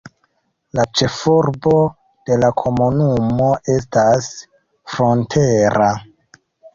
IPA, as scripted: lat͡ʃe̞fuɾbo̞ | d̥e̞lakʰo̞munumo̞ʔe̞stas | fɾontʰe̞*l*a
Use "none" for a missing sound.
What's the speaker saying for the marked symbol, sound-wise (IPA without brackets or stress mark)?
ɾ